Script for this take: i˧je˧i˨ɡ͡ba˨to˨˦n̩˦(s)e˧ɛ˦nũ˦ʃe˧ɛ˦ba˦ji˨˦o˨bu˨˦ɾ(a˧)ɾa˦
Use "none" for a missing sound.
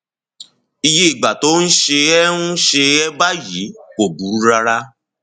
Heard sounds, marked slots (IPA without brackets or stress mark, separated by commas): ʃ, a˧